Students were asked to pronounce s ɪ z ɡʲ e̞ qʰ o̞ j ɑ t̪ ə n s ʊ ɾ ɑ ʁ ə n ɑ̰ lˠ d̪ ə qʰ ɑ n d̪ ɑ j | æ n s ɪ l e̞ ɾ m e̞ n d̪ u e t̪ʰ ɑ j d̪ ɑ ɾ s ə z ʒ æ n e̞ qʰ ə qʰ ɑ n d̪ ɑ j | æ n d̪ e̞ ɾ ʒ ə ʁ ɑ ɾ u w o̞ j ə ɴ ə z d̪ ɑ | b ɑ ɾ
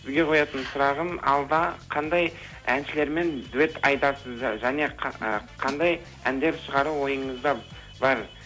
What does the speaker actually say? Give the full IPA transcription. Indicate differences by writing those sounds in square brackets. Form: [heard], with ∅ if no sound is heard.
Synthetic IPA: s ɪ z ɡʲ e̞ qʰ o̞ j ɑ t̪ ə n s ʊ ɾ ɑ ʁ ə n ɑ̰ lˠ d̪ [ɑ] qʰ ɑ n d̪ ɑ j | æ n [ʃ] ɪ l e̞ ɾ m e̞ n d̪ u e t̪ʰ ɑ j d̪ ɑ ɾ s ə z ʒ æ n e̞ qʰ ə qʰ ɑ n d̪ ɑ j | æ n d̪ e̞ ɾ [ʃ] ə ʁ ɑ ɾ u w o̞ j ə ɴ ə z d̪ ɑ | b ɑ ɾ

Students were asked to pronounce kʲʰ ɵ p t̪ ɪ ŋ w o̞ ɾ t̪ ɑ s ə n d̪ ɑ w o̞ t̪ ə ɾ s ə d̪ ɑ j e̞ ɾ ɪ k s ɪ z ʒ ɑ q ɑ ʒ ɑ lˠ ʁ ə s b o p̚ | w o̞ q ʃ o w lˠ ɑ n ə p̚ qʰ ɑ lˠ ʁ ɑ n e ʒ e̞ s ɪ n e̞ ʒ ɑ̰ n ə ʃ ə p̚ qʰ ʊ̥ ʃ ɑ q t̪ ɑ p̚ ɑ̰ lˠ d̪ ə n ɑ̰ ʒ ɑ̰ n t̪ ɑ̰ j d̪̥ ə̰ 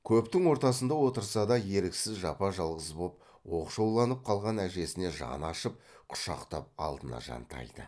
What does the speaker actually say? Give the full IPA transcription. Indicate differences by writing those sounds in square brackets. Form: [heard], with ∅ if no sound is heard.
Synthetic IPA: kʲʰ ɵ p t̪ ɪ ŋ w o̞ ɾ t̪ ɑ s ə n d̪ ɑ w o̞ t̪ ə ɾ s [ɑ] d̪ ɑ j e̞ ɾ ɪ k s ɪ z ʒ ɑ [p] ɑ ʒ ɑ lˠ ʁ ə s b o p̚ | w o̞ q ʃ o w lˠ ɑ n ə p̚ qʰ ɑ lˠ ʁ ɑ n [æ] ʒ e̞ s ɪ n e̞ ʒ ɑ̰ n [ɑ] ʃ ə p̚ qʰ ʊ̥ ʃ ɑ q t̪ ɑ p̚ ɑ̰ lˠ d̪ ə n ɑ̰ ʒ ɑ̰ n t̪ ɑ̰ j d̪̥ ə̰

